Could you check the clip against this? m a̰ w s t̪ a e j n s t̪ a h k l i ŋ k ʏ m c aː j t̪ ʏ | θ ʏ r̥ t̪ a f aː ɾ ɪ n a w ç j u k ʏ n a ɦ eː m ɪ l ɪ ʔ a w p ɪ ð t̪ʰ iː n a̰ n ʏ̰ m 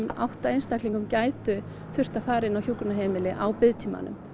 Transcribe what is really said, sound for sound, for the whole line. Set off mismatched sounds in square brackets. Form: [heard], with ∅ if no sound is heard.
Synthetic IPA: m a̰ w [h] t̪ a e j n s t̪ a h k l i ŋ k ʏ m c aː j t̪ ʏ | θ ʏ r̥ t̪ a f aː ɾ ɪ n a w ç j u k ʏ n a ɦ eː m ɪ l ɪ ʔ a w p ɪ ð t̪ʰ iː [m] a̰ n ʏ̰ m